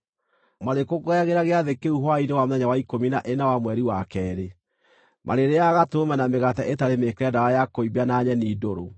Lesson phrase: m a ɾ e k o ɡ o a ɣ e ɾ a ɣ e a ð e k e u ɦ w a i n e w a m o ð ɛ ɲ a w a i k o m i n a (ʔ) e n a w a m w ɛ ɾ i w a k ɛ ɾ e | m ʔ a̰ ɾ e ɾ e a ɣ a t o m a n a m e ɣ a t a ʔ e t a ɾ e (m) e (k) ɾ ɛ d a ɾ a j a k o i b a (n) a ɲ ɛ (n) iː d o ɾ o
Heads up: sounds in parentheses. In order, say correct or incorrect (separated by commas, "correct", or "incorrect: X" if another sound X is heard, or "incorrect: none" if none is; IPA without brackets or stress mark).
correct, correct, correct, correct, correct